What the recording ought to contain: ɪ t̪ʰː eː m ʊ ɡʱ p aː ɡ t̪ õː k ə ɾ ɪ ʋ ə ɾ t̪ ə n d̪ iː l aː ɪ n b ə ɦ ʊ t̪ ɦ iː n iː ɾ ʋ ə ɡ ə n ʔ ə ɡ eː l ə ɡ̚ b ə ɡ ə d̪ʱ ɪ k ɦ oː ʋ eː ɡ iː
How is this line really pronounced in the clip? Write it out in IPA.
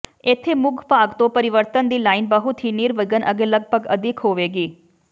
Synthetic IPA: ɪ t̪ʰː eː m ʊ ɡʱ p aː ɡ t̪ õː p ə ɾ ɪ ʋ ə ɾ t̪ ə n d̪ iː l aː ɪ n b ə ɦ ʊ t̪ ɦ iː n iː ɾ ʋ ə ɡ ə n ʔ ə ɡ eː l ə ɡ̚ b ə ɡ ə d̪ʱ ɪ k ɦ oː ʋ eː ɡ iː